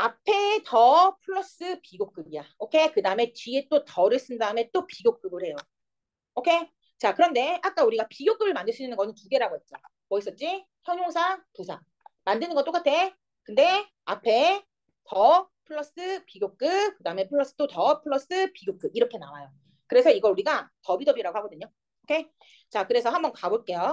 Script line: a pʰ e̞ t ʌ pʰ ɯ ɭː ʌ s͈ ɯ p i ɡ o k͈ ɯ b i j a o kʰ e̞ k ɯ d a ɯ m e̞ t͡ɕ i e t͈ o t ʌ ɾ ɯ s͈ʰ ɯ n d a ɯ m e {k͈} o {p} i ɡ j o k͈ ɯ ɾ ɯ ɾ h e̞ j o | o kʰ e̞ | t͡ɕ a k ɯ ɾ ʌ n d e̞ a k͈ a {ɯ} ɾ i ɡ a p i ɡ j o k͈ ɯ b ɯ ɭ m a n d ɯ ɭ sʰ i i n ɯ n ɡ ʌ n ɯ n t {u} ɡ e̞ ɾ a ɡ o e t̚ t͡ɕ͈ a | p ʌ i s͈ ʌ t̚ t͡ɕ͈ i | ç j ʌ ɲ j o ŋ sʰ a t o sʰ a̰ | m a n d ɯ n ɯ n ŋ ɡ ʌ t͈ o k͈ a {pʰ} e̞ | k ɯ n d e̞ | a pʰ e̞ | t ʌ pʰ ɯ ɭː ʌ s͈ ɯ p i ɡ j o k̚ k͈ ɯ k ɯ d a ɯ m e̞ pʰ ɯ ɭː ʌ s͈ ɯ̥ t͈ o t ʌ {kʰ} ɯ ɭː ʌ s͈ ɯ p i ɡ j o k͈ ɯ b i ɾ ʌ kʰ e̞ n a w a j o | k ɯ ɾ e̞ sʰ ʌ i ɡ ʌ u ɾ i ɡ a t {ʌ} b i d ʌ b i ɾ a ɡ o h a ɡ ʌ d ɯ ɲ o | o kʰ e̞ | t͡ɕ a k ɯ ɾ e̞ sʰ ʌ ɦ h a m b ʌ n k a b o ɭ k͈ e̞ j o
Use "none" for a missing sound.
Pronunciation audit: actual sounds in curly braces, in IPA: t͈, p, u, u, tʰ, pʰ, ʌ

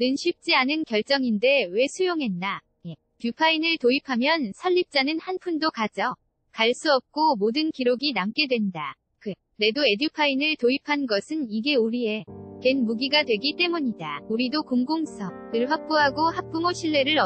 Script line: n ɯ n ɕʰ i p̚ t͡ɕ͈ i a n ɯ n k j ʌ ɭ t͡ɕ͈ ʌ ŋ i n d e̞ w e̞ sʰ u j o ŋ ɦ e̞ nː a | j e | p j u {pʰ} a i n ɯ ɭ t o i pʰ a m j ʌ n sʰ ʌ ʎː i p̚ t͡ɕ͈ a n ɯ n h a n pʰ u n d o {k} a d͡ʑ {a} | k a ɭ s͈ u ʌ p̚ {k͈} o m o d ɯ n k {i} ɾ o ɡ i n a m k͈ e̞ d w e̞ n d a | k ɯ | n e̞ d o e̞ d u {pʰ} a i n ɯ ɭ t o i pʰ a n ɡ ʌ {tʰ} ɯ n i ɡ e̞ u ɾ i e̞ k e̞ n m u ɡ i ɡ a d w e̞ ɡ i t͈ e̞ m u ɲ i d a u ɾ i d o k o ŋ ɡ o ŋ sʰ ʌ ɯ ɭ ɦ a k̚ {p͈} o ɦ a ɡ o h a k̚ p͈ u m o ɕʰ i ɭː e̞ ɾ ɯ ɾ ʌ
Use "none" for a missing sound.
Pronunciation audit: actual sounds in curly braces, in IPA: pʰ, k, ʌ, k͈, i, pʰ, sʰ, p͈

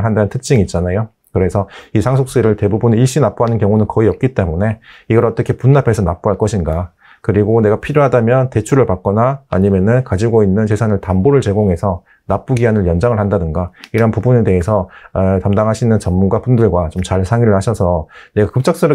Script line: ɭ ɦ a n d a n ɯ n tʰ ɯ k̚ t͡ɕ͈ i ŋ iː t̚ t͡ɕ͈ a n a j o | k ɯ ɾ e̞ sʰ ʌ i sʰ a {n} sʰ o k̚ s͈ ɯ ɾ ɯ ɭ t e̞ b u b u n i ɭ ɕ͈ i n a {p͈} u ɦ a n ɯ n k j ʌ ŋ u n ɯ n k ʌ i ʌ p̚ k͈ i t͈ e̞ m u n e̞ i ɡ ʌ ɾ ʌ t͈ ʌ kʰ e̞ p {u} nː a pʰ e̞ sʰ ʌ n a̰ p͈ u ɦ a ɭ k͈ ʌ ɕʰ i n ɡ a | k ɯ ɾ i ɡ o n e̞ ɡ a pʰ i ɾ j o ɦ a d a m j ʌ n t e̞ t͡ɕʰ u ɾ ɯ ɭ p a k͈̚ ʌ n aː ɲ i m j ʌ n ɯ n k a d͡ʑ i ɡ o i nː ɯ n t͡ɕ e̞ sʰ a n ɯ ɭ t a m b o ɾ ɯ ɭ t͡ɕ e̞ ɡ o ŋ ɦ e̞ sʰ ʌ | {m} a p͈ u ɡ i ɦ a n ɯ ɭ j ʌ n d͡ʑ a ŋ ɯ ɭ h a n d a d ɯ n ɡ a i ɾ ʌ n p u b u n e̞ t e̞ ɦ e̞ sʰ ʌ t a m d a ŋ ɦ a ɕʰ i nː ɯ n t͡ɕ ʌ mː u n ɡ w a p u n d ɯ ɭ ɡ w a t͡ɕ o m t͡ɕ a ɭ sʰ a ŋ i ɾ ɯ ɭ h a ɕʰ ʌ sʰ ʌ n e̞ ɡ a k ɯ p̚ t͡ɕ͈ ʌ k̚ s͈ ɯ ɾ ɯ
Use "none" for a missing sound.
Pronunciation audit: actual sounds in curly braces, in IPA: ŋ, p͈, u, n

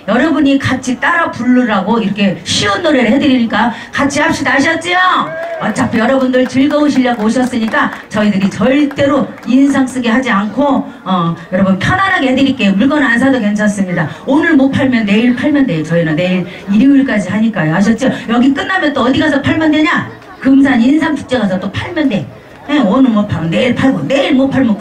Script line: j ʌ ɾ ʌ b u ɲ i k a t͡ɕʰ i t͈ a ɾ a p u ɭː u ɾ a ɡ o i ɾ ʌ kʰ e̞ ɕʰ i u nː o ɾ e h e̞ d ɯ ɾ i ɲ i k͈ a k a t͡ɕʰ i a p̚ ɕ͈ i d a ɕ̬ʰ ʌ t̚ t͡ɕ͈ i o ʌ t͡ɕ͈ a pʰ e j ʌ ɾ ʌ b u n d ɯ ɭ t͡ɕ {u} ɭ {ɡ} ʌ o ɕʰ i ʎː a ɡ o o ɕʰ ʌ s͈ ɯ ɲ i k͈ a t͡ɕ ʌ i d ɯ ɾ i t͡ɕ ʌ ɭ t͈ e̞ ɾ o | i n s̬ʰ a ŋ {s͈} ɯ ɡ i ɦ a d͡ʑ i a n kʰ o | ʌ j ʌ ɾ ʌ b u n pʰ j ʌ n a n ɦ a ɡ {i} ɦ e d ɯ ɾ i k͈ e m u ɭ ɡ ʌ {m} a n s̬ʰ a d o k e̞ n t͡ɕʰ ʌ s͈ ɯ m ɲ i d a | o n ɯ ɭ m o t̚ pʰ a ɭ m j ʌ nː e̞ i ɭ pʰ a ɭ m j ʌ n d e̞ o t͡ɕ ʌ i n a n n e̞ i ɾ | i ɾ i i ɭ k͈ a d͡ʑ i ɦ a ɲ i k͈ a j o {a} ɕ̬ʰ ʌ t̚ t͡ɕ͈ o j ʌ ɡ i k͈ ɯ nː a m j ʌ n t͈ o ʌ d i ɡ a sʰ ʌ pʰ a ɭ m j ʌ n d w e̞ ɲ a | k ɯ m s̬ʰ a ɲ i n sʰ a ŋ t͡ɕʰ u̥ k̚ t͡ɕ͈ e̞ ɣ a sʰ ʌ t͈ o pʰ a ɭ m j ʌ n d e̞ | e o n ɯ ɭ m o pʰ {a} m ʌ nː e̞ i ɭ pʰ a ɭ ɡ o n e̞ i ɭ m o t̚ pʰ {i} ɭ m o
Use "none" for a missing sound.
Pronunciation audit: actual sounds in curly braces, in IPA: ɯ, ɡ, s͈, e, n, a, a, a

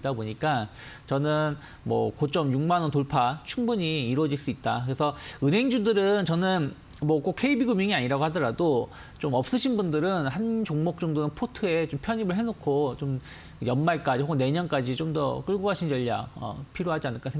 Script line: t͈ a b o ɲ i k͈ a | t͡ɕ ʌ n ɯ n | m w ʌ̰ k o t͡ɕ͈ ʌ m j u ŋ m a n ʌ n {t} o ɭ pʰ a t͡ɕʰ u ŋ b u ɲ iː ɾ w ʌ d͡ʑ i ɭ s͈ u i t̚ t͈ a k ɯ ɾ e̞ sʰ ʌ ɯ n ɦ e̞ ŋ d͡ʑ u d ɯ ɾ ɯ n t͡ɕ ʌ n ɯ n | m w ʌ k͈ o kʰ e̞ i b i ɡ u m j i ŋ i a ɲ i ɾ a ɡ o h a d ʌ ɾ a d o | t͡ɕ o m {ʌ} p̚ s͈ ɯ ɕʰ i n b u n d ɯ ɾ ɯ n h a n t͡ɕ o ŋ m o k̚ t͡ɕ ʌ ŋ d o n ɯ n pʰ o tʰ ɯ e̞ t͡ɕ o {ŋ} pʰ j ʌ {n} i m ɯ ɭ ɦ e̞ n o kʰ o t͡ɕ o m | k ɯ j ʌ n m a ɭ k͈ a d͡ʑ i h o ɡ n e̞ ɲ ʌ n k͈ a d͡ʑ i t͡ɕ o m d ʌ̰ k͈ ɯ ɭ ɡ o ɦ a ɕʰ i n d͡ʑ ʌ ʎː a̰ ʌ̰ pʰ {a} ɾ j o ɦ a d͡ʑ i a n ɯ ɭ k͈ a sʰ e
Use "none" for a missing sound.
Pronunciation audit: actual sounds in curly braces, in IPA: t, ʌ, m, ɲ, i

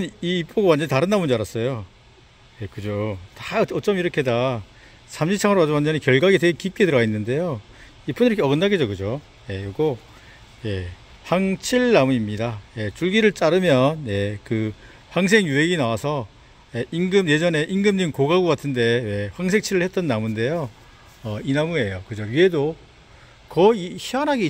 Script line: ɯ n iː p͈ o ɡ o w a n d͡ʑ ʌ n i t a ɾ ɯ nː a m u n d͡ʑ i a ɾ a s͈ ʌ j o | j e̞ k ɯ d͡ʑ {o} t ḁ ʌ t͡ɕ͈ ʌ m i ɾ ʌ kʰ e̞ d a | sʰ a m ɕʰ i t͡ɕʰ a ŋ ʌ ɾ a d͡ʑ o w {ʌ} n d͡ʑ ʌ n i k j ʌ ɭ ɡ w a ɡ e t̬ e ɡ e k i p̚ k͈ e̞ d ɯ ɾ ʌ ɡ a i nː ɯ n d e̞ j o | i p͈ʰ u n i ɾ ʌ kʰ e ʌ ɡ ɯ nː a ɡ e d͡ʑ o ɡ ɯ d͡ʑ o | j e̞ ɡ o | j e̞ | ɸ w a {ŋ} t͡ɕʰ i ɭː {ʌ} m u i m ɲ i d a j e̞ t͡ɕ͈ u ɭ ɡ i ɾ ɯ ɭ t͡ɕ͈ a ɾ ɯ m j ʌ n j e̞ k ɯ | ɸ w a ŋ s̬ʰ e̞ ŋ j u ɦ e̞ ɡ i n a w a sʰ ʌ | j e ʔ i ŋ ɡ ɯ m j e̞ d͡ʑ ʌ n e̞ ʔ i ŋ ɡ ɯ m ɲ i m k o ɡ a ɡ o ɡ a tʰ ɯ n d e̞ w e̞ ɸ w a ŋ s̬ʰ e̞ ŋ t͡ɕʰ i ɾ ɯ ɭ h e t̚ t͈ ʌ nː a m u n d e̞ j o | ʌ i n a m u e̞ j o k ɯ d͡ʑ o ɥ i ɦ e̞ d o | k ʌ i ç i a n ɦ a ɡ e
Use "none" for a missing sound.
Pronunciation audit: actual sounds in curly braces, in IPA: o, a, ŋ, a

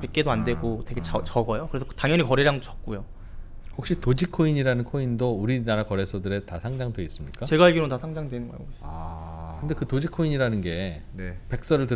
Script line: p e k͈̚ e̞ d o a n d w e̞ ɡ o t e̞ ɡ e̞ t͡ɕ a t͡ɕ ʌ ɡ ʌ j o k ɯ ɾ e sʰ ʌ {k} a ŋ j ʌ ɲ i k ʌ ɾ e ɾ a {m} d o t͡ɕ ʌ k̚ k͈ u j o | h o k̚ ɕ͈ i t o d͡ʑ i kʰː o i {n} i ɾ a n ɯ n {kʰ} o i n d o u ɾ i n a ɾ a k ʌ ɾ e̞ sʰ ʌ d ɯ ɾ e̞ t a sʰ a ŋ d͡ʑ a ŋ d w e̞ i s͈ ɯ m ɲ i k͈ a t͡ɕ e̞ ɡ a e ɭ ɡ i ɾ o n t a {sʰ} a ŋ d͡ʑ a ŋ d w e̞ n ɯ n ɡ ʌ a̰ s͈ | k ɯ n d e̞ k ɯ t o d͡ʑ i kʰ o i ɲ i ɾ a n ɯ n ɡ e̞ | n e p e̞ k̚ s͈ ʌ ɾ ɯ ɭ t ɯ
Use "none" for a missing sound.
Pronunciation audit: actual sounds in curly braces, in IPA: t, ŋ, ɲ, kʰ, sʰ

